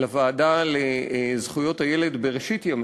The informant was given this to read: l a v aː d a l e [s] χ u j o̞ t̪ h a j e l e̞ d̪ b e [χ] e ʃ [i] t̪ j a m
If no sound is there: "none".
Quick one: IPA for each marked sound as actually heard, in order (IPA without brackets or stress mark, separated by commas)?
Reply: z, ʁ, i